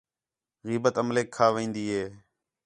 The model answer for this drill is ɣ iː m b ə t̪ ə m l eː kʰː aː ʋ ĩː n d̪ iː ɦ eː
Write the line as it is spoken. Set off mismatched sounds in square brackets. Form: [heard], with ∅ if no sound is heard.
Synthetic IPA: ɣ iː [∅] b ə t̪ ə m l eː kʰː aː ʋ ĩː n d̪ iː ɦ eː